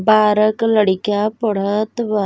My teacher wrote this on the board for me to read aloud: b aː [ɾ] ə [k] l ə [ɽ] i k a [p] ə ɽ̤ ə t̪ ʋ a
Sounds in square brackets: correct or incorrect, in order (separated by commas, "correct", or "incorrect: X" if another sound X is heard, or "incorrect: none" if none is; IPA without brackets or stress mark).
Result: correct, correct, correct, correct